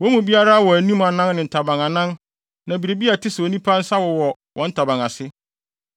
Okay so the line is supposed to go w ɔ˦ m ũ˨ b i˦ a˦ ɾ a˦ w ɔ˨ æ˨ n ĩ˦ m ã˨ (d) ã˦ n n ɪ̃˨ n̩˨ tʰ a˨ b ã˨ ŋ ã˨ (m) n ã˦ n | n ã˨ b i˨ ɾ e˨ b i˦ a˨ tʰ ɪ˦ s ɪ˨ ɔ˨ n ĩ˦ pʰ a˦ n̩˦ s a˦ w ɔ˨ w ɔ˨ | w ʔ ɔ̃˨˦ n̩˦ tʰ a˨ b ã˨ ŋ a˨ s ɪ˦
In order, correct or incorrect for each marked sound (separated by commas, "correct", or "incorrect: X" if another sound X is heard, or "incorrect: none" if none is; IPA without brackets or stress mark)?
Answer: incorrect: n, incorrect: none